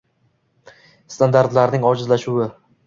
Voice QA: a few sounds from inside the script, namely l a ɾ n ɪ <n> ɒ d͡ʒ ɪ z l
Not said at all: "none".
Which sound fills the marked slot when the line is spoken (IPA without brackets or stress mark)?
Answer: ŋ